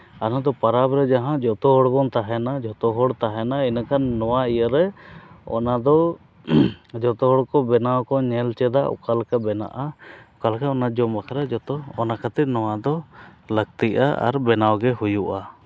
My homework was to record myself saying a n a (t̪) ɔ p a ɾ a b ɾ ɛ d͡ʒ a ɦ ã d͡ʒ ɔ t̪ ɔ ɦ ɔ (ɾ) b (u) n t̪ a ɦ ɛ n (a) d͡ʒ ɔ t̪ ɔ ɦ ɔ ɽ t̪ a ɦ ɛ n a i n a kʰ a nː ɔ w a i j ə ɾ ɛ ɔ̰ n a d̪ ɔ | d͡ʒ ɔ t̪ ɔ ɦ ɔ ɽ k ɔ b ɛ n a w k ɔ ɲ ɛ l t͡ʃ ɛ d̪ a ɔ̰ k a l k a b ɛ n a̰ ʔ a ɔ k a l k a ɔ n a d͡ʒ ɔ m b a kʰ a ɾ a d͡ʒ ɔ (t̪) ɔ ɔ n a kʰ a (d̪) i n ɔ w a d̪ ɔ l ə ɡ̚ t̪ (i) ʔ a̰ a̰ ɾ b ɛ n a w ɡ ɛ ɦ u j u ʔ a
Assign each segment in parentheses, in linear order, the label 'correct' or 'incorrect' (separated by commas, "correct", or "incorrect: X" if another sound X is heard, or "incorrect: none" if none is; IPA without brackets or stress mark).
incorrect: d̪, incorrect: ɽ, incorrect: ɔ, correct, correct, incorrect: t̪, correct